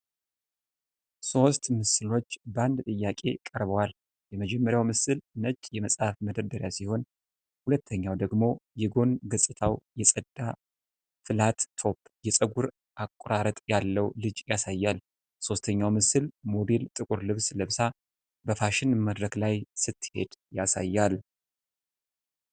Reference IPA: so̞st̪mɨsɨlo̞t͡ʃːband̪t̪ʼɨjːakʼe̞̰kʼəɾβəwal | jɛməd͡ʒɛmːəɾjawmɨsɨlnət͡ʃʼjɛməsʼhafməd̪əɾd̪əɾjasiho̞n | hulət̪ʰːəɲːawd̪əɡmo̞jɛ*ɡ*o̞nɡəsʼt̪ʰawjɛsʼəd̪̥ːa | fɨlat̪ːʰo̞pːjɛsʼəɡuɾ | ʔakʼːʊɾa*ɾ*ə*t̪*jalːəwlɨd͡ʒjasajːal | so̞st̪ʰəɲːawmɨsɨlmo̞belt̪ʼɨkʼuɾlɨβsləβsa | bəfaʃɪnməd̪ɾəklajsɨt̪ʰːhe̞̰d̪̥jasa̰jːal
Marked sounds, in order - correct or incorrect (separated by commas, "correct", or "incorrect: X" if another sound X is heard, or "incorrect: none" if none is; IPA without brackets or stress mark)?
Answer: correct, correct, incorrect: t̪ʼ